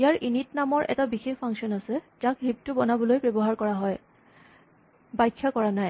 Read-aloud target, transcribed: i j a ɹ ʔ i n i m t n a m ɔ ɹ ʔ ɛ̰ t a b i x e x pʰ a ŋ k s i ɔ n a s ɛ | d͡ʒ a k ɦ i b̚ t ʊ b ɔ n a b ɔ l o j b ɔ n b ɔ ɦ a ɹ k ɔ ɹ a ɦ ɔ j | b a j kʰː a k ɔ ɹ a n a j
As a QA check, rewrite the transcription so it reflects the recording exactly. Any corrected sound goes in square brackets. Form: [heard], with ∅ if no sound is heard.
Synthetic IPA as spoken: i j a ɹ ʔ i n i [∅] t n a m ɔ ɹ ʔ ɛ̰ t a b i x e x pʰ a ŋ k s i ɔ n a s ɛ | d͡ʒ a k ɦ i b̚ t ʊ b ɔ n a b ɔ l o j b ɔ [∅] b ɔ ɦ a ɹ k ɔ ɹ a ɦ ɔ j | b a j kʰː a k ɔ ɹ a n a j